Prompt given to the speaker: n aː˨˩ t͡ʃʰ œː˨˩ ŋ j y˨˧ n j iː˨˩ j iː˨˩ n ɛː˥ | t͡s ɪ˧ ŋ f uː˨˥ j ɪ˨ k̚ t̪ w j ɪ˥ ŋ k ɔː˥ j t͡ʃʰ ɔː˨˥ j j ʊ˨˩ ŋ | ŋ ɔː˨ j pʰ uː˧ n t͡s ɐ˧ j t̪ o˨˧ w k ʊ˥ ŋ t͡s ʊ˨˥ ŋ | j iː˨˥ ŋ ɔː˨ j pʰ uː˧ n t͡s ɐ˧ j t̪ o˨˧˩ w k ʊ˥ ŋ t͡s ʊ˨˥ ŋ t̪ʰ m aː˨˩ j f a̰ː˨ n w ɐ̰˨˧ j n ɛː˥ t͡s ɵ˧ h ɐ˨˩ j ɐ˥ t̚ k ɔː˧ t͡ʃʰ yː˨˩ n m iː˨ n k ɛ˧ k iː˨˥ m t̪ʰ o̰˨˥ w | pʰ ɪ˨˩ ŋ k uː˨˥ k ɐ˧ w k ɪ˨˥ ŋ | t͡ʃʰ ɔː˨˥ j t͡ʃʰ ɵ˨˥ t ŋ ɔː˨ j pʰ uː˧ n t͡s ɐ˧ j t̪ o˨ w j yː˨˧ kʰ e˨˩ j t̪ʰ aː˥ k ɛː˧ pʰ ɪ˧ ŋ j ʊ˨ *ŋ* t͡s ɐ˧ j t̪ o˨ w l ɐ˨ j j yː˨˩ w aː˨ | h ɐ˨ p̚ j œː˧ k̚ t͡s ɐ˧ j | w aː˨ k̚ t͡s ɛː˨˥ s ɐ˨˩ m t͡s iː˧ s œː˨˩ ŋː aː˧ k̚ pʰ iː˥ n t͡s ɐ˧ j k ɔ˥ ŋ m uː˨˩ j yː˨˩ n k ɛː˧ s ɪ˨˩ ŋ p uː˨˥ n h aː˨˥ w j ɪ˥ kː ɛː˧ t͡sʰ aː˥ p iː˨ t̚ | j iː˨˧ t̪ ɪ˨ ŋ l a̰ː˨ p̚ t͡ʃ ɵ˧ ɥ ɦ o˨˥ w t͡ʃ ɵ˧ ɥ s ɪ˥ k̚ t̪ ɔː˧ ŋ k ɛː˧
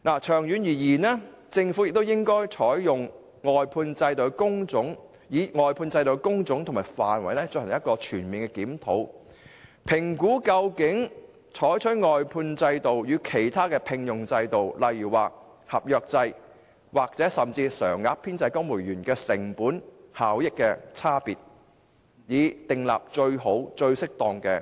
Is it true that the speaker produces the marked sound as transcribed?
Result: yes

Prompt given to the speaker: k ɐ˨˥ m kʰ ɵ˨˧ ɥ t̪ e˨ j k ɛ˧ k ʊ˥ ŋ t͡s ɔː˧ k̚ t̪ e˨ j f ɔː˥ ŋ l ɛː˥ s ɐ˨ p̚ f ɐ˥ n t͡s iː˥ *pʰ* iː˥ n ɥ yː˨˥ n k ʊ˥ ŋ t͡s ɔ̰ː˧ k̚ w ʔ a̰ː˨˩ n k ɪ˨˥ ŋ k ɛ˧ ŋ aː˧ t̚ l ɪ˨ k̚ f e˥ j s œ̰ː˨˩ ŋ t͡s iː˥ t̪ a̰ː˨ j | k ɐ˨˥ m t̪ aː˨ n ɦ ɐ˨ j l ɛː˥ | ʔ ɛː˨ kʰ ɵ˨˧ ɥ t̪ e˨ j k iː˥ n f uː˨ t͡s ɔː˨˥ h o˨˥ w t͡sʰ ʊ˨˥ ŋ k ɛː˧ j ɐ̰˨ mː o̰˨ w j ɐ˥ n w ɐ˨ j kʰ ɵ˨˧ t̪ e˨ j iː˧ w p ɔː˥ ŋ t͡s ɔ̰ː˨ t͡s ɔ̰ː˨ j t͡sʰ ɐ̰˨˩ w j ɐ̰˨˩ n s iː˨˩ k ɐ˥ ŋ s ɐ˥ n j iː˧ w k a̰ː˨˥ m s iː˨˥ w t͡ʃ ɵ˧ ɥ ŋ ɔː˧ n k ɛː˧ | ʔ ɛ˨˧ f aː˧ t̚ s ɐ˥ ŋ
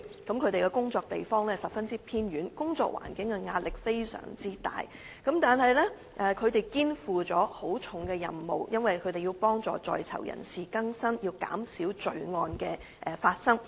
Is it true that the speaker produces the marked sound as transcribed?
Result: yes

